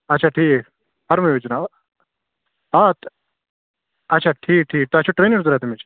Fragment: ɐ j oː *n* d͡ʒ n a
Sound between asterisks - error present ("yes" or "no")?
yes